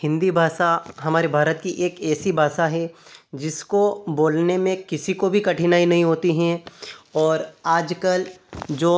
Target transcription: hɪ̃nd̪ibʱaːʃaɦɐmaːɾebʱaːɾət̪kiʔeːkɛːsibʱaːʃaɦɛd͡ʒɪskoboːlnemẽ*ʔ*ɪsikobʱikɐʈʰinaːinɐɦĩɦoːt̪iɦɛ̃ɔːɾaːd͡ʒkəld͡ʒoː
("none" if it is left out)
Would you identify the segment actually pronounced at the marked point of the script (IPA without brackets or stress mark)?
k